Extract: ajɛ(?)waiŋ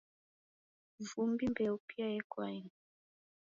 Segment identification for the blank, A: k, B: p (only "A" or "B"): A